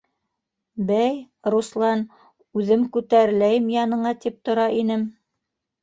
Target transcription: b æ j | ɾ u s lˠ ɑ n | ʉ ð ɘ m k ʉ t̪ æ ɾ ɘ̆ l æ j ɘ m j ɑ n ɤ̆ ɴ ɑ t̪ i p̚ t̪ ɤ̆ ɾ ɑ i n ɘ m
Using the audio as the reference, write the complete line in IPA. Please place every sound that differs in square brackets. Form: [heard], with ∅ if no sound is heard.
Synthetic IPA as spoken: b æ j | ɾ u s lˠ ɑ n | ʉ ð ɘ m k ʉ t̪ æ ɾ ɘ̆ l æ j ɘ m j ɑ n ɤ̆ ɴ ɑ t̪ i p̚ t̪ [ŏ] ɾ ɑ i n ɘ m